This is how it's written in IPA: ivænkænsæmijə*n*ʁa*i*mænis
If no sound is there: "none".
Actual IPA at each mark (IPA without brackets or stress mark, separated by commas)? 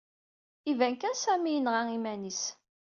n, i